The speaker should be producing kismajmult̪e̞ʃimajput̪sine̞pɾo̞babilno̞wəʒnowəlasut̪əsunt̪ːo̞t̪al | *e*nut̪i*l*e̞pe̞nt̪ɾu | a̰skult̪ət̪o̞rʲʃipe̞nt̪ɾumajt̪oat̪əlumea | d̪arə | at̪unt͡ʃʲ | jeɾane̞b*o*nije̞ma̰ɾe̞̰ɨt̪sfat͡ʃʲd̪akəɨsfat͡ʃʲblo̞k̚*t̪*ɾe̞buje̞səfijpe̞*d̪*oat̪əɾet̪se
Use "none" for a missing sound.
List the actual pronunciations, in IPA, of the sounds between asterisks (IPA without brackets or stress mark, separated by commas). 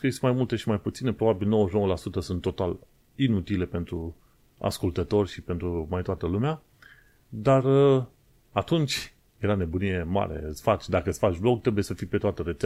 i, l, u, t̪, t̪